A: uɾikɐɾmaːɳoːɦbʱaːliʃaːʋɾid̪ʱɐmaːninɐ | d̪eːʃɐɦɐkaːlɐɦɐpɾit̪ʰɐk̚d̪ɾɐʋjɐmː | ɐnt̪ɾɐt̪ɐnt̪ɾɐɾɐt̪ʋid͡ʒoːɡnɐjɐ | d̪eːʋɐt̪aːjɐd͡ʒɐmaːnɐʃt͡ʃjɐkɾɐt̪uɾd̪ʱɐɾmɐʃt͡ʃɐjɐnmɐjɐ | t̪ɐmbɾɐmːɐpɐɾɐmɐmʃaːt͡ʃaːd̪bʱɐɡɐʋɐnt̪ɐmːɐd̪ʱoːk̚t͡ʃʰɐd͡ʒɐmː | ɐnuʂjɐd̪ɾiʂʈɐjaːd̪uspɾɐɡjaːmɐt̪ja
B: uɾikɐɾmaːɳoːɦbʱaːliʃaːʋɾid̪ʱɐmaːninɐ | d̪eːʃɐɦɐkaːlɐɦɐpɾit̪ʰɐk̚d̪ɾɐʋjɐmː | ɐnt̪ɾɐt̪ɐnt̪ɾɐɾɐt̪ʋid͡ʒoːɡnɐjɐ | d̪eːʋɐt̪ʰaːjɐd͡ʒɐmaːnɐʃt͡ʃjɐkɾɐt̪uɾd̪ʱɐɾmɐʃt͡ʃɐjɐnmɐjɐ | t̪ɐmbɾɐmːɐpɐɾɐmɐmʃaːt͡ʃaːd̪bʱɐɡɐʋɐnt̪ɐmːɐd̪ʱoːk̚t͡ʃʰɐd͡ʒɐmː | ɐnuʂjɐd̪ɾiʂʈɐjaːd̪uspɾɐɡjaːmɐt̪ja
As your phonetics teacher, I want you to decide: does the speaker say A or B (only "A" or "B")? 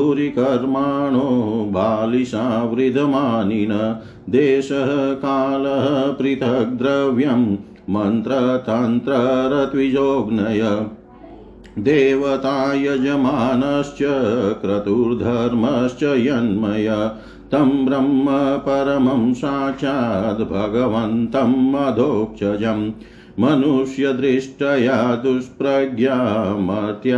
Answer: A